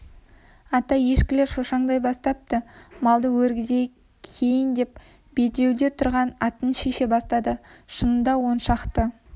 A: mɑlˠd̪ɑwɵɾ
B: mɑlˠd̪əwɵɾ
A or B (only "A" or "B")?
B